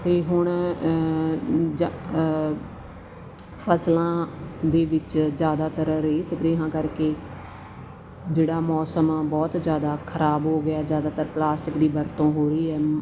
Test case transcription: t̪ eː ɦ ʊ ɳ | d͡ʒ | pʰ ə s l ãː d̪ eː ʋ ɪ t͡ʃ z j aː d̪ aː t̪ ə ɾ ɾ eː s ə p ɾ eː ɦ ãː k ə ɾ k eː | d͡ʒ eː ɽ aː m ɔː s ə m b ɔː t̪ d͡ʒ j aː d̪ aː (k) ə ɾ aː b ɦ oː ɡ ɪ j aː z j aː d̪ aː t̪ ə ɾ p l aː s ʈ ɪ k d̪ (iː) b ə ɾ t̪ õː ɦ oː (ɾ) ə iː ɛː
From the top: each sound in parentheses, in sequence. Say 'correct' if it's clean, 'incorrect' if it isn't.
incorrect, correct, correct

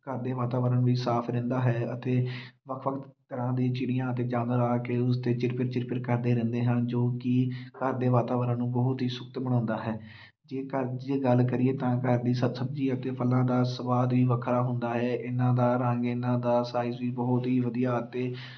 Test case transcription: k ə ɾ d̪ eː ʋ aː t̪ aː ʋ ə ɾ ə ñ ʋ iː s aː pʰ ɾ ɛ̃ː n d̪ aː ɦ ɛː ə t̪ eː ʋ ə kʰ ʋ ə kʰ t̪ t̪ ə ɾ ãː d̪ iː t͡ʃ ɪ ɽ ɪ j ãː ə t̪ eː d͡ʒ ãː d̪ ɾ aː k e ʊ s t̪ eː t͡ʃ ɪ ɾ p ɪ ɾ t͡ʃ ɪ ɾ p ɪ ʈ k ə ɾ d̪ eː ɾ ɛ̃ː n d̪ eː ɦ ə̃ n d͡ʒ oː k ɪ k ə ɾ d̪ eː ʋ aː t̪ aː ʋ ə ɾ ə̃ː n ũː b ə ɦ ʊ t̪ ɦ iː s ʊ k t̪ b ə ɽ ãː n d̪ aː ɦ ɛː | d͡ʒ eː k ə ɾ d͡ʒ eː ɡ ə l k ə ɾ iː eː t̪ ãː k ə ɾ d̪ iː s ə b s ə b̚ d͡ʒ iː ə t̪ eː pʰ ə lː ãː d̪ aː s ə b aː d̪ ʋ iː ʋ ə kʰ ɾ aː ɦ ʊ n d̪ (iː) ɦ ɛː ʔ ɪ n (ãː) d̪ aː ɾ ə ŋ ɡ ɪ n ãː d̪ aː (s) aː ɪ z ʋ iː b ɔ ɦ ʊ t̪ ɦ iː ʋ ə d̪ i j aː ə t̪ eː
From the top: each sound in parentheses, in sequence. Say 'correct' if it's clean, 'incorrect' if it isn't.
incorrect, correct, correct

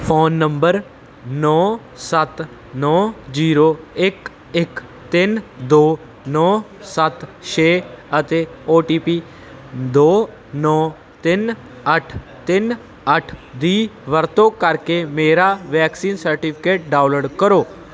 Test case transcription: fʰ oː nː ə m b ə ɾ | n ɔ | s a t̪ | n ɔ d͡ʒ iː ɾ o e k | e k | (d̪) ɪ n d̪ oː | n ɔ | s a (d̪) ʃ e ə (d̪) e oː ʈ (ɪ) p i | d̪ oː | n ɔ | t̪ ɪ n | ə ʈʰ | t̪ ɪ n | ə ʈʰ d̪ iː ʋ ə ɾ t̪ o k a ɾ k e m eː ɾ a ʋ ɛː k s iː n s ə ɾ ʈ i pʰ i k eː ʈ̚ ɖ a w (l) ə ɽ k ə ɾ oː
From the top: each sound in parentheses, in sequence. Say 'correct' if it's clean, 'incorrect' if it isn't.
incorrect, incorrect, incorrect, incorrect, correct

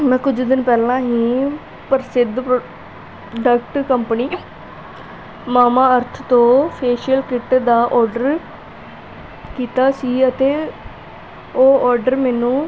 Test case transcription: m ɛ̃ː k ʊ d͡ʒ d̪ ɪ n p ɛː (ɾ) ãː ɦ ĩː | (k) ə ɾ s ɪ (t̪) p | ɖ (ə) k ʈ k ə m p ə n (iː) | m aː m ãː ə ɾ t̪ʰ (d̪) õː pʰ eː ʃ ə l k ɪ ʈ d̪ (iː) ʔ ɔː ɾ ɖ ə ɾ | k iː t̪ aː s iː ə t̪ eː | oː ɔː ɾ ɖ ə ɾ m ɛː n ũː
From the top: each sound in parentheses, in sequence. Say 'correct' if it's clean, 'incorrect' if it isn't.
incorrect, incorrect, incorrect, correct, correct, incorrect, incorrect

